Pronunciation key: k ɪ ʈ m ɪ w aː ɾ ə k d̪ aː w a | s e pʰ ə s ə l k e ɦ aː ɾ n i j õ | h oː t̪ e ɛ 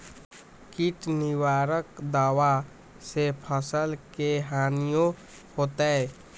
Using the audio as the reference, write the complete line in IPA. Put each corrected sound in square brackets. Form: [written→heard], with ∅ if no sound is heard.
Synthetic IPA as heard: k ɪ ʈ [m→n] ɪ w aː ɾ ə k d̪ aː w a | s e pʰ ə s ə l k e ɦ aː [ɾ→∅] n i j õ | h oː t̪ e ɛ